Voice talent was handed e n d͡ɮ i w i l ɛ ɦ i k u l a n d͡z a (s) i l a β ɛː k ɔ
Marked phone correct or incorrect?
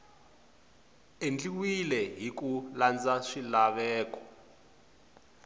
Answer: incorrect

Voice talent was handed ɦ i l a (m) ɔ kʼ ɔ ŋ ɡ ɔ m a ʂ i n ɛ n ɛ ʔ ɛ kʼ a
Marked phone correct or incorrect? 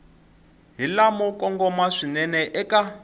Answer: correct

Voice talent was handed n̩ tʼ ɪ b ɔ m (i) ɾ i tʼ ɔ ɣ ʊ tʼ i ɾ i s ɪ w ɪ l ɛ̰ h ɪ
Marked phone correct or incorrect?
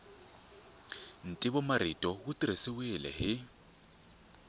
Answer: incorrect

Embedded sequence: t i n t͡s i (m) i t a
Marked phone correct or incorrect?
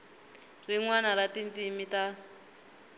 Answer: correct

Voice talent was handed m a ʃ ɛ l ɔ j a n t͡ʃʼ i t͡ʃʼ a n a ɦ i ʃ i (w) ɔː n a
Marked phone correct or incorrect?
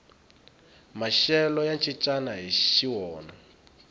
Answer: correct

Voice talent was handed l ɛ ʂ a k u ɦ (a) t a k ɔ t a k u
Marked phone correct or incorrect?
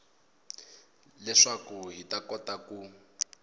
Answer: incorrect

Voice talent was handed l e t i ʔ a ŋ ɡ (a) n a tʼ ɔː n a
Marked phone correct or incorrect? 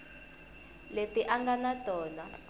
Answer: correct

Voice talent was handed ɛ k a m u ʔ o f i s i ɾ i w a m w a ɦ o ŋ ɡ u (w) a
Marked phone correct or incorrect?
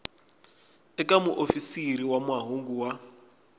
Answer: correct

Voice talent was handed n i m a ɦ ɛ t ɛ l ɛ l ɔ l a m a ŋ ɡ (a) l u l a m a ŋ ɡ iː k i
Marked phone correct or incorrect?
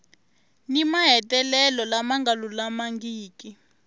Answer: correct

